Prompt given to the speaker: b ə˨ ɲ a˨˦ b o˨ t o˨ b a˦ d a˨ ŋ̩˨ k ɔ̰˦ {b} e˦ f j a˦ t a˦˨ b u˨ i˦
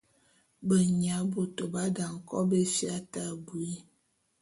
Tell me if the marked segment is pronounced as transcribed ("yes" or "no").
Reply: yes